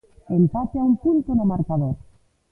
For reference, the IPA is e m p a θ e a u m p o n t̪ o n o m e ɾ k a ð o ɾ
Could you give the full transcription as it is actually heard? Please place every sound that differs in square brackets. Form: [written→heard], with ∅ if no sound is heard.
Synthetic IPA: e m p a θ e a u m p [o→u] n t̪ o n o m [e→a] ɾ k a ð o ɾ